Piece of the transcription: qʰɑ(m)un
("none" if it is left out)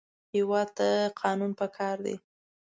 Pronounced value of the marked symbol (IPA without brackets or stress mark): n